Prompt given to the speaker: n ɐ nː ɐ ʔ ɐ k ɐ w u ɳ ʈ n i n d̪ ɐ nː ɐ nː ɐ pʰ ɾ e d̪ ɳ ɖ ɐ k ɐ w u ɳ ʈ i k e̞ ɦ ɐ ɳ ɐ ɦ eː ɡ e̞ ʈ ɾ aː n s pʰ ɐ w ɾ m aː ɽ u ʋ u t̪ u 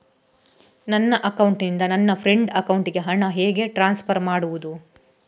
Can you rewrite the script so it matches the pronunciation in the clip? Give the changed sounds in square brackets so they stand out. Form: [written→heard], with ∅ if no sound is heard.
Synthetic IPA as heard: n ɐ nː ɐ ʔ ɐ k ɐ w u ɳ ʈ n i n d̪ ɐ [nː→n] ɐ nː ɐ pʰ ɾ e [d̪→∅] ɳ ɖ ɐ k ɐ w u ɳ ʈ i [k→ɡ] e̞ ɦ ɐ ɳ ɐ ɦ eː ɡ e̞ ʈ ɾ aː n s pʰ ɐ [w→∅] ɾ m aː ɽ u ʋ u [t̪→d̪] u